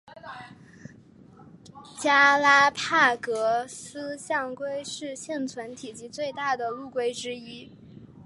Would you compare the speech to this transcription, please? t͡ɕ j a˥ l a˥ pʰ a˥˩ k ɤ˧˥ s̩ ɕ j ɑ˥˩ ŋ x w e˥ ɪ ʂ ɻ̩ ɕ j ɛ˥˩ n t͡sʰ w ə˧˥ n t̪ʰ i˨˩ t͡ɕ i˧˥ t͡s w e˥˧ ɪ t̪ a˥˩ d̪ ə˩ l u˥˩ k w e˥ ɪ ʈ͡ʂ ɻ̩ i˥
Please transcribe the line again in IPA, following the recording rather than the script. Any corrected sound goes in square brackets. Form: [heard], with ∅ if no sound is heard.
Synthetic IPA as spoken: t͡ɕ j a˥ l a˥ pʰ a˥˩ k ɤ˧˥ s̩ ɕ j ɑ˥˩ ŋ [k] w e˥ ɪ ʂ ɻ̩ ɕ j ɛ˥˩ n t͡sʰ w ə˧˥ n t̪ʰ i˨˩ t͡ɕ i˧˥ t͡s w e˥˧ ɪ t̪ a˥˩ d̪ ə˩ l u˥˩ k w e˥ ɪ ʈ͡ʂ ɻ̩ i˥

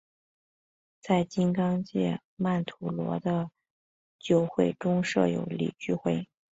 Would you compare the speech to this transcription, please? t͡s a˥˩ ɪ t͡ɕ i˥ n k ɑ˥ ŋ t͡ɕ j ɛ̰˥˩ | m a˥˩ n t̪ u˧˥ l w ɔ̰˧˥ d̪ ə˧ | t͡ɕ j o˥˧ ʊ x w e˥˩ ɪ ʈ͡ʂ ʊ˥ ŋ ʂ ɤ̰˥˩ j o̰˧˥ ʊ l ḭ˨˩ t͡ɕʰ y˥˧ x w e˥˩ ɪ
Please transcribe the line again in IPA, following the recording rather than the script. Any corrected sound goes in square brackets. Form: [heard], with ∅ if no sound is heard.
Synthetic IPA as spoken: t͡s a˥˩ ɪ t͡ɕ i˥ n k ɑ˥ ŋ t͡ɕ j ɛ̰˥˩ | m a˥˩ n [t̪ʰ] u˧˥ l w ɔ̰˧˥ d̪ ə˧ | t͡ɕ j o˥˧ ʊ x w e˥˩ ɪ ʈ͡ʂ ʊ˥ ŋ ʂ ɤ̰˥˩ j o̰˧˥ ʊ l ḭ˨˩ [t͡ɕ] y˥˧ x w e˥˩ ɪ

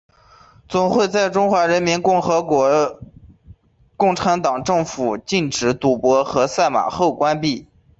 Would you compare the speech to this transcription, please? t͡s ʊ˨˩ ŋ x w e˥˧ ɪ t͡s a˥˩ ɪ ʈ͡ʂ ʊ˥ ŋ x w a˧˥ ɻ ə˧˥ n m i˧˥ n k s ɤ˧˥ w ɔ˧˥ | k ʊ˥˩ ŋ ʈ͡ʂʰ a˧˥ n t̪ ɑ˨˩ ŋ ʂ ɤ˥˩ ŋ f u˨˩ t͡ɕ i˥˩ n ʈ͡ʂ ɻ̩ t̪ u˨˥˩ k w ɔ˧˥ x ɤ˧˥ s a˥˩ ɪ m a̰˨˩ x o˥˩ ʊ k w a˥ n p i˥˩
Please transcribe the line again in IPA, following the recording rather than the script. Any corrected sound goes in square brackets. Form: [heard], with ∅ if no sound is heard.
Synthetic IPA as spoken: t͡s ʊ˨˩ ŋ x w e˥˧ ɪ t͡s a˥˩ ɪ ʈ͡ʂ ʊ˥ ŋ x w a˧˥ ɻ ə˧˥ n m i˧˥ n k [x] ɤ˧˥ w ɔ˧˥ | k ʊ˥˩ ŋ ʈ͡ʂʰ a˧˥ n t̪ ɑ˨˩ ŋ [ʈ͡ʂ] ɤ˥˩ ŋ f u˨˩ t͡ɕ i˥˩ n ʈ͡ʂ ɻ̩ t̪ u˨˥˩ [p] w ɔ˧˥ x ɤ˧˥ s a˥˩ ɪ m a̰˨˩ x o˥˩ ʊ k w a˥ n p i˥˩

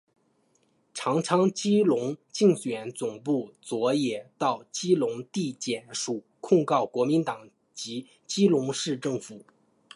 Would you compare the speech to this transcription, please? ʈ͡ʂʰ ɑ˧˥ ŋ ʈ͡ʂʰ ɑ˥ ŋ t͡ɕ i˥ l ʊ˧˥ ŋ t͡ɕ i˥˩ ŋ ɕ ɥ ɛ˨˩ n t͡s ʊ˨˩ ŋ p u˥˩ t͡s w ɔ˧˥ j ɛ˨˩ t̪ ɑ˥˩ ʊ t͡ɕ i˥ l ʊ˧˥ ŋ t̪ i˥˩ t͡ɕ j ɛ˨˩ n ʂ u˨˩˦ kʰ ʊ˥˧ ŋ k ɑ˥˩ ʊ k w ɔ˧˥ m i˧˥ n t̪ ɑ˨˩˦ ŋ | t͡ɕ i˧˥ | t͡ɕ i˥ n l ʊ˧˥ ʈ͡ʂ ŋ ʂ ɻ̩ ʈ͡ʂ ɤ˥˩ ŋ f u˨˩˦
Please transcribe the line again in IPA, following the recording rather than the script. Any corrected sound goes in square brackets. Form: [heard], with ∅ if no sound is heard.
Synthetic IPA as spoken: ʈ͡ʂʰ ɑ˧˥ ŋ ʈ͡ʂʰ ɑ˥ ŋ t͡ɕ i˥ l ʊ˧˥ ŋ t͡ɕ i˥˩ ŋ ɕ ɥ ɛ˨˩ n t͡s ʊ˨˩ ŋ p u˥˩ t͡s w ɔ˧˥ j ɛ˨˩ t̪ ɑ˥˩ ʊ t͡ɕ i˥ l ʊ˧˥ ŋ t̪ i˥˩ t͡ɕ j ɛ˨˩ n ʂ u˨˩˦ kʰ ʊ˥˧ ŋ k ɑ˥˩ ʊ k w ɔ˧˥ m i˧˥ n t̪ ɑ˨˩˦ ŋ | t͡ɕ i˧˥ | t͡ɕ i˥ [∅] l ʊ˧˥ [∅] ŋ ʂ ɻ̩ ʈ͡ʂ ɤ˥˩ ŋ f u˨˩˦

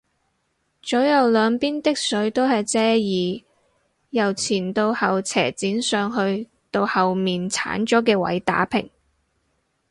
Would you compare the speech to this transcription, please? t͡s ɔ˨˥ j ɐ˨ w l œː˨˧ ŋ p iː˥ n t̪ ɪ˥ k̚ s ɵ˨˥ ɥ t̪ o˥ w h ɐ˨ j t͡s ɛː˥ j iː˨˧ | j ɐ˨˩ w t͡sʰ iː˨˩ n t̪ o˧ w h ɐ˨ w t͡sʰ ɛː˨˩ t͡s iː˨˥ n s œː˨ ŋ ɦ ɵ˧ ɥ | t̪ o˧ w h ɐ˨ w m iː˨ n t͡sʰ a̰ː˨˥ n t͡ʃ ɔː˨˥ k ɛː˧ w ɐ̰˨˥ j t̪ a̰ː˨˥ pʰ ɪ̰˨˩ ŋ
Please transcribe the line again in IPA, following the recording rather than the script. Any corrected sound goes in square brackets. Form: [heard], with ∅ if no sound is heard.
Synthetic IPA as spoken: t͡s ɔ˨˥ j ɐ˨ w l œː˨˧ ŋ p iː˥ n t̪ ɪ˥ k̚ s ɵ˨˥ ɥ t̪ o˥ w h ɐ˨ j t͡s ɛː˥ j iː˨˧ | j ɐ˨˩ w t͡sʰ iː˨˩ n t̪ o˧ w h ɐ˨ w t͡sʰ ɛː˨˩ t͡s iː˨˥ n s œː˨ ŋ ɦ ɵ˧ ɥ | t̪ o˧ w h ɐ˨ w m iː˨ n t͡sʰ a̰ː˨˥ n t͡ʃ ɔː˨˥ k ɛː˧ w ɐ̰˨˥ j t̪ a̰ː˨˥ pʰ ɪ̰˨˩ ŋ

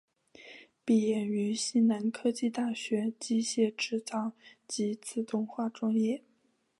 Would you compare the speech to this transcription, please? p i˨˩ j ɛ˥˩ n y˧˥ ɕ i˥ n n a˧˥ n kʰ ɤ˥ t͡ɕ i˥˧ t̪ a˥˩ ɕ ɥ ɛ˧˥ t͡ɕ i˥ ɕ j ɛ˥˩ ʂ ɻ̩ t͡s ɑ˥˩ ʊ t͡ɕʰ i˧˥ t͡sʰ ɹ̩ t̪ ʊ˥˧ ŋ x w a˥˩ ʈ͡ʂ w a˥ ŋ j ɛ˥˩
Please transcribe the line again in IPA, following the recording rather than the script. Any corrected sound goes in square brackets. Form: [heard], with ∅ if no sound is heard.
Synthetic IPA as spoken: p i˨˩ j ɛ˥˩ n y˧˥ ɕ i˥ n n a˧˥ n kʰ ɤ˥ t͡ɕ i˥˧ t̪ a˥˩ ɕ ɥ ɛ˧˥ t͡ɕ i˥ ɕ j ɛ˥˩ [ʈ͡ʂ] ɻ̩ t͡s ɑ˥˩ ʊ [t͡ɕ] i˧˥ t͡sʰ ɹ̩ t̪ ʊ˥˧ ŋ x w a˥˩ ʈ͡ʂ w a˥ ŋ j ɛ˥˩

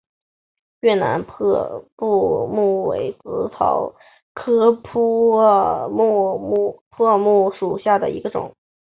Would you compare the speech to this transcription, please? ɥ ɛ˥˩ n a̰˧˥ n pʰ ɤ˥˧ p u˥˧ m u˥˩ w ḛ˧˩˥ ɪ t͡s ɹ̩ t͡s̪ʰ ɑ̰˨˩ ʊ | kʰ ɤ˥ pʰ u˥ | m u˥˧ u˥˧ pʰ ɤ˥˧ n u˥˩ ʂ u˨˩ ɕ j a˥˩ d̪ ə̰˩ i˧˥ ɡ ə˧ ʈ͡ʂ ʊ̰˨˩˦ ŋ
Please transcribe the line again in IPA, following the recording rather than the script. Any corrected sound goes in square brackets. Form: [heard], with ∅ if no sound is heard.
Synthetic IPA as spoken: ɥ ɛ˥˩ n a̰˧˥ n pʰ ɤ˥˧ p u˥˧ m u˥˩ w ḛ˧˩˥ ɪ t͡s ɹ̩ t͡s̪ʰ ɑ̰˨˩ ʊ | kʰ ɤ˥ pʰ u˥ | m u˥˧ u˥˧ pʰ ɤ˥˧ [m] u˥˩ ʂ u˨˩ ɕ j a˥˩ d̪ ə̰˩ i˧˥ ɡ ə˧ ʈ͡ʂ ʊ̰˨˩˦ ŋ

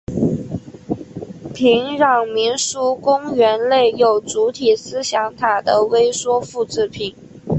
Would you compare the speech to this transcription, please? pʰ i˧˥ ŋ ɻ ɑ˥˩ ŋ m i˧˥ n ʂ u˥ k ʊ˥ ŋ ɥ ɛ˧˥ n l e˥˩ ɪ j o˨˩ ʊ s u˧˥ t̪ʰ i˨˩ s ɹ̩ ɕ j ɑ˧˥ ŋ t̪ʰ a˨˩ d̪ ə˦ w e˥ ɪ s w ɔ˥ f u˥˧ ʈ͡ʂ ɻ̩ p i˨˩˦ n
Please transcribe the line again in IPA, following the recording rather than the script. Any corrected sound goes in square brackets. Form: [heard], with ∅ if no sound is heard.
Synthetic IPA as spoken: pʰ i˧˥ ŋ ɻ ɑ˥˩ ŋ m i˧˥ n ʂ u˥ k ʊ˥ ŋ ɥ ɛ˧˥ n l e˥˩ ɪ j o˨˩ ʊ [t͡s] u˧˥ t̪ʰ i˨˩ s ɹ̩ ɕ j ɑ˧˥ ŋ t̪ʰ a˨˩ d̪ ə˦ w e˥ ɪ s w ɔ˥ f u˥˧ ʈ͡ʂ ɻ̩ [pʰ] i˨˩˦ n

